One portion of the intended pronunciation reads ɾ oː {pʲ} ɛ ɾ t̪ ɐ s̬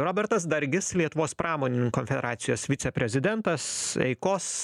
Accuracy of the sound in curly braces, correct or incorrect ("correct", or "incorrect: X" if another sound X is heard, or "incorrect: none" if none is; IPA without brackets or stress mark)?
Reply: incorrect: bʲ